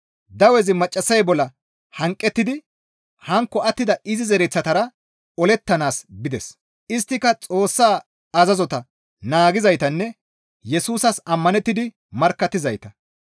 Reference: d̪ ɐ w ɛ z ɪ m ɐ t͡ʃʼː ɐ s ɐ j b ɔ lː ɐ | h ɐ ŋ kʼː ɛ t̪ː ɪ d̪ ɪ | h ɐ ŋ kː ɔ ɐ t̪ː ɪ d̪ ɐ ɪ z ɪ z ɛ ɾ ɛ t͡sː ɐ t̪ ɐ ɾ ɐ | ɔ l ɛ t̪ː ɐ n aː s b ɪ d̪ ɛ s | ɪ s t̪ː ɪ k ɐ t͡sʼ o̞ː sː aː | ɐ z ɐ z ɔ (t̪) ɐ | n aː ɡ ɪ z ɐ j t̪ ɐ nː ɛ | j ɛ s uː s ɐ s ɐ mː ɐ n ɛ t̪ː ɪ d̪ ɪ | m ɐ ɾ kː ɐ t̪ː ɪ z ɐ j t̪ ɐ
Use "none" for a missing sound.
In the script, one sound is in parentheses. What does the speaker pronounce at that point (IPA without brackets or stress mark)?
t̪